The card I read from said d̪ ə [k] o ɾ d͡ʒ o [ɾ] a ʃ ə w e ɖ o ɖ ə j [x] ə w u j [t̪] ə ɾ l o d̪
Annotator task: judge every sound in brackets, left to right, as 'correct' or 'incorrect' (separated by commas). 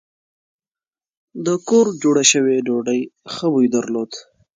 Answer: correct, incorrect, correct, incorrect